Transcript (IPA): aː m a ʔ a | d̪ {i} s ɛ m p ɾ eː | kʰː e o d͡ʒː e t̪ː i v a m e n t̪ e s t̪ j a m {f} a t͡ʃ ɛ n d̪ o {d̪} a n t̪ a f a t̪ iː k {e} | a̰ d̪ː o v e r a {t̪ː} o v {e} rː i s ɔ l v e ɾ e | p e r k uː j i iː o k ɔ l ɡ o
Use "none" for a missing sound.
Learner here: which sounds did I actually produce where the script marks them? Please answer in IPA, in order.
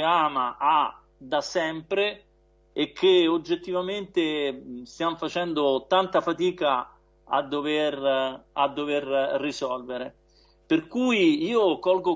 a, f, t̪, a, d̪ː, e

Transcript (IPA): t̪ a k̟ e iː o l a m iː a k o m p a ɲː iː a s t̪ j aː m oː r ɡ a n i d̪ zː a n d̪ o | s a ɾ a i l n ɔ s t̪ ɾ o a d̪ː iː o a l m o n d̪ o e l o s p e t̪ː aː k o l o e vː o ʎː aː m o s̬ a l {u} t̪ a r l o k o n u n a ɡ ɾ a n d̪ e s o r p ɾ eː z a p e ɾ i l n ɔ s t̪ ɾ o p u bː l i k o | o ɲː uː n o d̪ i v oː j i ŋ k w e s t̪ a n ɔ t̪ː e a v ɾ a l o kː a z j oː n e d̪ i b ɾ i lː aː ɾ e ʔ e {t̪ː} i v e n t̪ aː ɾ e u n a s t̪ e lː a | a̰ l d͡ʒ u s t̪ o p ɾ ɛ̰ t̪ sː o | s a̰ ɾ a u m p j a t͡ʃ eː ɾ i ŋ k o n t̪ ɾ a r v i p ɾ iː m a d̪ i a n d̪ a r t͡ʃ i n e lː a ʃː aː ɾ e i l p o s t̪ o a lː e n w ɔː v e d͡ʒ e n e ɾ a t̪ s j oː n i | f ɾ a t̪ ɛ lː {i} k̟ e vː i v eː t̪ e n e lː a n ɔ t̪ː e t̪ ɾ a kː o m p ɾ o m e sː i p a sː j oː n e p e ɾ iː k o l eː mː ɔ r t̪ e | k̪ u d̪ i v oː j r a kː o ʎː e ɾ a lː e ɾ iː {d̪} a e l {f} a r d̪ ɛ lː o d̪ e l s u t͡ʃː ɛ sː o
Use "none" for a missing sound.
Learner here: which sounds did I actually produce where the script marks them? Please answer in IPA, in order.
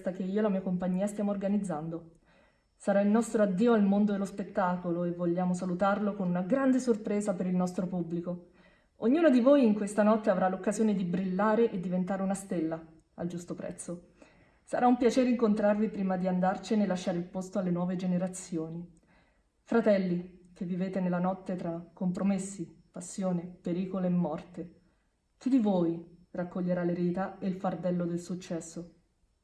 u, d̪ː, i, t̪, f

